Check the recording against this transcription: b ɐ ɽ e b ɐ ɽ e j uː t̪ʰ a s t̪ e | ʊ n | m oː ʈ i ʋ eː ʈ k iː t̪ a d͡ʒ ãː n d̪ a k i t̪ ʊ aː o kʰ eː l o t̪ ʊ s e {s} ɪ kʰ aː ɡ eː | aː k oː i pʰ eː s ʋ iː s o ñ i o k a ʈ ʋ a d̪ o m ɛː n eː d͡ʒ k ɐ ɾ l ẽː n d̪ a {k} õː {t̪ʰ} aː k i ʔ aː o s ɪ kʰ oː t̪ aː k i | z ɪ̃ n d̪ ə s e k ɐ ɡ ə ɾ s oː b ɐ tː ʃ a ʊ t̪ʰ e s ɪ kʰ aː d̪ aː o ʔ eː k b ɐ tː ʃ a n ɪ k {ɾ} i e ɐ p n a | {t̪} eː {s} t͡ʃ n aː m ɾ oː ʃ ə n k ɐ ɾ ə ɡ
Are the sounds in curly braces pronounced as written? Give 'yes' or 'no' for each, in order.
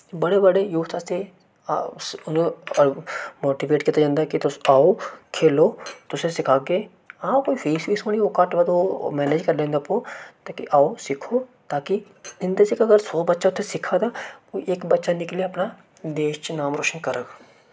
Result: yes, no, no, no, no, no

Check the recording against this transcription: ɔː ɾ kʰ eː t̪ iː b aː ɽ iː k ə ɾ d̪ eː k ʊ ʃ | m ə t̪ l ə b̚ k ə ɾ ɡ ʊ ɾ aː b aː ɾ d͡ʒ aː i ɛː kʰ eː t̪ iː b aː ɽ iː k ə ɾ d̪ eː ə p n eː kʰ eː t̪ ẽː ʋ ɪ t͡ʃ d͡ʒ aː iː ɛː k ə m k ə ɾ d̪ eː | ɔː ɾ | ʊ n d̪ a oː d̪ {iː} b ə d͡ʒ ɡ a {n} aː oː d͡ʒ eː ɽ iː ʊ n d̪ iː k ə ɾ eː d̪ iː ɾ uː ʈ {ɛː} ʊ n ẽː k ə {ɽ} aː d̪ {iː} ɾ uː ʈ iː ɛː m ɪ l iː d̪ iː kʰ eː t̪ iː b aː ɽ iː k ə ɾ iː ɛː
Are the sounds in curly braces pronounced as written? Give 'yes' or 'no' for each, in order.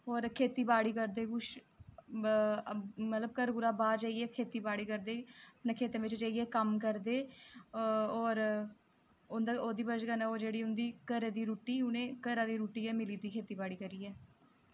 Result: yes, yes, no, no, yes

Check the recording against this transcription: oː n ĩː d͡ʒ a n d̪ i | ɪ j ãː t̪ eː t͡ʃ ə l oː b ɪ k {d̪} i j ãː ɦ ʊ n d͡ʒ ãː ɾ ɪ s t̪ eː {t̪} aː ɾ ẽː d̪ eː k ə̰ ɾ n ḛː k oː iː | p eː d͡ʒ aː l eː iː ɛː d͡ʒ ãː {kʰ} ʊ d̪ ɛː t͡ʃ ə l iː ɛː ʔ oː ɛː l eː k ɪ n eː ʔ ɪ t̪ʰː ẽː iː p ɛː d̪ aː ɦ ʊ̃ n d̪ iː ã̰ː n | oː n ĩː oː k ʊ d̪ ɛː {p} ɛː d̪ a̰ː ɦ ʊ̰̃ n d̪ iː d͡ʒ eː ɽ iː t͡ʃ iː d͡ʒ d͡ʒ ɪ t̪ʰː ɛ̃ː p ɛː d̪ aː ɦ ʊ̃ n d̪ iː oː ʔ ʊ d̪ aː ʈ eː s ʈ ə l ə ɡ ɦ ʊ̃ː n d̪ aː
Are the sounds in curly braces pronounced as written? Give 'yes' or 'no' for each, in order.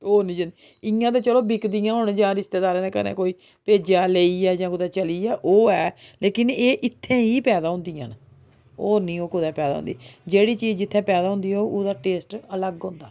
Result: yes, no, no, yes

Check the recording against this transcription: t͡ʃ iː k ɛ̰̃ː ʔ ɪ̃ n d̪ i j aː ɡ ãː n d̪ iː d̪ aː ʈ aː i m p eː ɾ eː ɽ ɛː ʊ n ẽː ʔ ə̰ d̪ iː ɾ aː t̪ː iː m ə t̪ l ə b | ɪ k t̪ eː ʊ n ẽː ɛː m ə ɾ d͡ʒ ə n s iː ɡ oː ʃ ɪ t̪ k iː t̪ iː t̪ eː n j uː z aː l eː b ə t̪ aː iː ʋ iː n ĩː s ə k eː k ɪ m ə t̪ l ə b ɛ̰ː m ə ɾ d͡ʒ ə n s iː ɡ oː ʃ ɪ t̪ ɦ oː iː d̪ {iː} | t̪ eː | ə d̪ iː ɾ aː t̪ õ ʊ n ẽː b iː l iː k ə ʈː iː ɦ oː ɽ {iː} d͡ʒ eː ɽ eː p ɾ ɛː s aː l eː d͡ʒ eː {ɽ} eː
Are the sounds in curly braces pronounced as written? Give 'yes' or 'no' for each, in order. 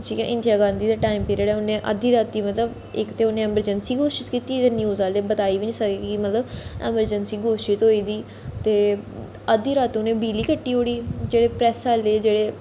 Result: yes, yes, yes

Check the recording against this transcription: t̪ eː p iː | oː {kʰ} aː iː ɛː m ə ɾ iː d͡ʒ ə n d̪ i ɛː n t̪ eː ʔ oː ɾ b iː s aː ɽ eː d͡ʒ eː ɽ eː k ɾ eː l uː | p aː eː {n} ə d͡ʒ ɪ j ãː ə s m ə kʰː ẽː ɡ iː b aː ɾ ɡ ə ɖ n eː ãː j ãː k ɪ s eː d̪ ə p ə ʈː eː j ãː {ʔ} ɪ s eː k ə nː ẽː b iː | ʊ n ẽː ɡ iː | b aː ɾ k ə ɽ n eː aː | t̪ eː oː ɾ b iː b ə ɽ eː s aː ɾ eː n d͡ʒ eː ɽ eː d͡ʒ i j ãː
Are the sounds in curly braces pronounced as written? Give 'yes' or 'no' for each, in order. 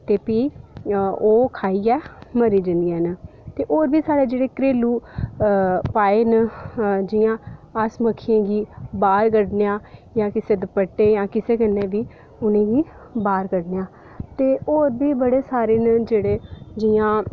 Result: yes, yes, no

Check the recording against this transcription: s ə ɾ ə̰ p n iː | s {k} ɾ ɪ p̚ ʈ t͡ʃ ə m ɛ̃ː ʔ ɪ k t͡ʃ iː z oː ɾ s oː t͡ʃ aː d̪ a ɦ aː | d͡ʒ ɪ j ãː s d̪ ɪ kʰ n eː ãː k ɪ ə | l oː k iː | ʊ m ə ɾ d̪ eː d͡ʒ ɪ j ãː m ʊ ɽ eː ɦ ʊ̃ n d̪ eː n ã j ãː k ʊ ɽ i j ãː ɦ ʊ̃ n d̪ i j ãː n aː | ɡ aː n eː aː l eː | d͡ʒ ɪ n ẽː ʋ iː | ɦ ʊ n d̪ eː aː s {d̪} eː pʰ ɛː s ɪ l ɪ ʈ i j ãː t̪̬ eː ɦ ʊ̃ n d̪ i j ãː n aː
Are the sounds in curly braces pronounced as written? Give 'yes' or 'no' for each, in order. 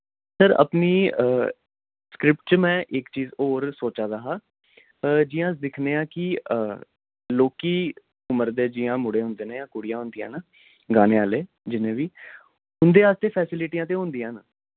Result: yes, no

